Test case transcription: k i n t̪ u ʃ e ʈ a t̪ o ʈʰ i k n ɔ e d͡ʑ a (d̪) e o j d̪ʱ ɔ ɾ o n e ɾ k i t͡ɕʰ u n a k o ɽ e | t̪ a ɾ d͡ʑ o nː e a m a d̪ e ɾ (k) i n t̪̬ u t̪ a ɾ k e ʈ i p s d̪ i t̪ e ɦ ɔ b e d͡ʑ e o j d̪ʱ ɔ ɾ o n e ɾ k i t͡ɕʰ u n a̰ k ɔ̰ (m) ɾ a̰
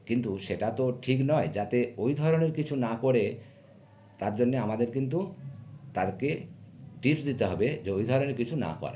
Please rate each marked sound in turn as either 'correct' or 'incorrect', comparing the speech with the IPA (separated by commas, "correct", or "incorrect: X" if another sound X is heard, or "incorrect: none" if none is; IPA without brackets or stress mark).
incorrect: t̪, correct, incorrect: none